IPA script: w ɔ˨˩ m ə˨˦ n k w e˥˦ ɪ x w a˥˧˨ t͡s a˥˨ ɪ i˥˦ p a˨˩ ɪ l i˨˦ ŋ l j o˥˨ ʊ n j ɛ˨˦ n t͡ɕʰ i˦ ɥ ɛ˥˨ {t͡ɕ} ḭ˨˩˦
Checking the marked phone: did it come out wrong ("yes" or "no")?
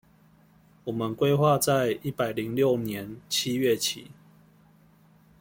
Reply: yes